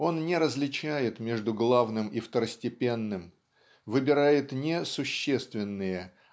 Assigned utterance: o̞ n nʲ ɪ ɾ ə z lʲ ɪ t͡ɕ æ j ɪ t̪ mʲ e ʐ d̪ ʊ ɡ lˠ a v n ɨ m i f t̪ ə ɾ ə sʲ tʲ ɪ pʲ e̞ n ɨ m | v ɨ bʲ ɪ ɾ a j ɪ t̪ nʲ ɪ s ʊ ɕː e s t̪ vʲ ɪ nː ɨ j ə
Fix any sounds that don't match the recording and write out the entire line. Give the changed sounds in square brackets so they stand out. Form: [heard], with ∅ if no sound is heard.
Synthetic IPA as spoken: o̞ n nʲ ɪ ɾ ə z lʲ ɪ t͡ɕ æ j ɪ t̪ mʲ e ʐ d̪ ʊ ɡ lˠ a v n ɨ m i f t̪ ə ɾ ə sʲ tʲ ɪ pʲ e̞ [nː] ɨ m | v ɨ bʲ ɪ ɾ a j ɪ t̪ nʲ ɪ s ʊ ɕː e s t̪ vʲ ɪ nː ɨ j ə